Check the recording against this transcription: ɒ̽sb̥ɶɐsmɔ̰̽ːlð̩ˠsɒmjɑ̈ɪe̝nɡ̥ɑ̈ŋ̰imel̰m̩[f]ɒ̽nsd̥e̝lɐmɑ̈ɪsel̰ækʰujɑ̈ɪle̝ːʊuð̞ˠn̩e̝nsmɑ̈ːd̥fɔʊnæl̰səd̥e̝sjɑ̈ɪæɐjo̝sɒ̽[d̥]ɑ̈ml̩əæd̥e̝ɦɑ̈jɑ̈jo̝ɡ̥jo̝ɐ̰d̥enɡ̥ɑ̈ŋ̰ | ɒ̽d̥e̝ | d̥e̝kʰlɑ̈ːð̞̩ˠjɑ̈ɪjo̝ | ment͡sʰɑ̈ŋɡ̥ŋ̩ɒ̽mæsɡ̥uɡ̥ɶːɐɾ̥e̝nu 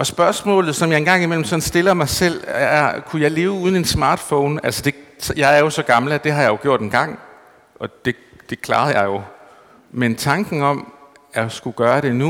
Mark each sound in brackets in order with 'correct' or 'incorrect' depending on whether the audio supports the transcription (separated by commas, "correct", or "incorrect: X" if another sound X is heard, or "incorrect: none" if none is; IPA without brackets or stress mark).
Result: incorrect: s, incorrect: ɡ̥